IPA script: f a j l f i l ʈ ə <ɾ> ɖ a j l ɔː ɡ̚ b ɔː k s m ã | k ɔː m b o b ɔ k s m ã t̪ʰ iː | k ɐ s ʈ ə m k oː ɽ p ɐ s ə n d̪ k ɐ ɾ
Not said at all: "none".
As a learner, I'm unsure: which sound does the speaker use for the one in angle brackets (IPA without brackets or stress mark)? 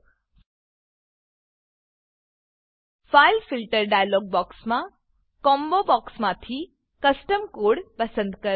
ɾ